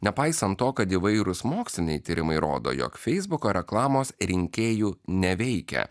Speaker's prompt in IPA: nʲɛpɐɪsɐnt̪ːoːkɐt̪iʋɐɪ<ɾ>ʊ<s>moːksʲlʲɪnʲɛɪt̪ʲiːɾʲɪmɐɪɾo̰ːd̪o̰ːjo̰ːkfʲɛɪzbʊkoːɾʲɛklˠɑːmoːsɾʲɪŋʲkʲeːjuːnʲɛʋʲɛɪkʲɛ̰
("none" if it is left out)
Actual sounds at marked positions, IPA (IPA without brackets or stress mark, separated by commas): ɾ, s